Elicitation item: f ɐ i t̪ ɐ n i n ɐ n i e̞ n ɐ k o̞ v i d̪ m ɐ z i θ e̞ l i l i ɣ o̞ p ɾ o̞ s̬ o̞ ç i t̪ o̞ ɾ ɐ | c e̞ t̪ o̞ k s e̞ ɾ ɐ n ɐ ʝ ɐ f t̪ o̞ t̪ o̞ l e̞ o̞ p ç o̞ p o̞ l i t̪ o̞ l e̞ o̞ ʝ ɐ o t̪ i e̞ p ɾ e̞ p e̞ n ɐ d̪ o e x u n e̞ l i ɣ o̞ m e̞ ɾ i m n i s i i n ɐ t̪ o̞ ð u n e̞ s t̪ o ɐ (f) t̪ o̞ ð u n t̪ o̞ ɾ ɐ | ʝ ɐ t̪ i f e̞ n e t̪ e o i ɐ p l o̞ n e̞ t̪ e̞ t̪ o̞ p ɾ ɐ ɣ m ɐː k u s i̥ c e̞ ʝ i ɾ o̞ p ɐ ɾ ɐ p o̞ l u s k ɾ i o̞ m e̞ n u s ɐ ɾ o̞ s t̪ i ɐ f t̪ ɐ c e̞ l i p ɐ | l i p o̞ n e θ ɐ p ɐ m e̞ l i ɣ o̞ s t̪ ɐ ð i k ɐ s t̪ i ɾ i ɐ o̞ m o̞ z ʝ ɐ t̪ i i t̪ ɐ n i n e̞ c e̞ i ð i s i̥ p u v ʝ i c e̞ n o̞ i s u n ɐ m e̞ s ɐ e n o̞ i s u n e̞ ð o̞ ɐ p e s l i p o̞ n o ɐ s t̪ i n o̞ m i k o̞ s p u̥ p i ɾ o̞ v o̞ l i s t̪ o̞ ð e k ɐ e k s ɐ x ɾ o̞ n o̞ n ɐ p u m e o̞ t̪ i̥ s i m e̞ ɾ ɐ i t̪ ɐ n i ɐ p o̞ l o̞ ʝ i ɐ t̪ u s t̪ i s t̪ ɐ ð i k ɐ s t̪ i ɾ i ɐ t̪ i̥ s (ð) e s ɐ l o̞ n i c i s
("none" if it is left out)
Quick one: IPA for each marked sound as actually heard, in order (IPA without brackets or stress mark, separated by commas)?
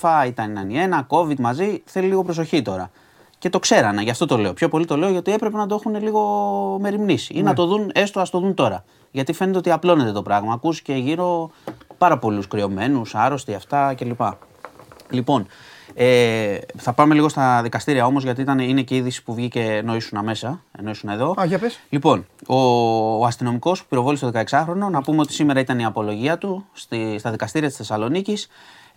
s, θ